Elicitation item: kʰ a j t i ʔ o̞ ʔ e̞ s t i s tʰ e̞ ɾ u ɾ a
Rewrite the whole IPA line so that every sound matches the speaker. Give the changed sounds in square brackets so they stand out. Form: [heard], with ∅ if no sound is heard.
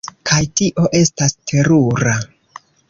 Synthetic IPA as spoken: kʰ a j t i ʔ o̞ ʔ e̞ s t [a] s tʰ e̞ ɾ u ɾ a